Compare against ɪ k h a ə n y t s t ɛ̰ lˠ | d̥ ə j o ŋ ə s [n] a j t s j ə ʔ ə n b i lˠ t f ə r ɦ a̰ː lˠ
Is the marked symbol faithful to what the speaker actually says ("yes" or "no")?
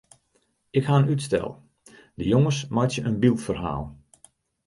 no